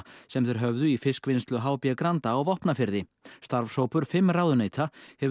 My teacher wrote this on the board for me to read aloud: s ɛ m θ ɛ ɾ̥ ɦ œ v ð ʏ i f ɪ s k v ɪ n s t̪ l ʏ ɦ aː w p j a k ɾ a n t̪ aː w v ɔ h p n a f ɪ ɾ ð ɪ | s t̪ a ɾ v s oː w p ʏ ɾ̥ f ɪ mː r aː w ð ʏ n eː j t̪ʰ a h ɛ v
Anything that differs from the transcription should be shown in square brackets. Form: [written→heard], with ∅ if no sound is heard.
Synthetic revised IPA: s ɛ m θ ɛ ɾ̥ ɦ œ v ð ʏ i f ɪ s k v ɪ n s t̪ l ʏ ɦ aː w p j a k ɾ a n t̪ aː w v ɔ h p n a f ɪ ɾ ð ɪ | s t̪ a ɾ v s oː w p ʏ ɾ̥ f ɪ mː r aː w ð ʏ n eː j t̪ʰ a h ɛ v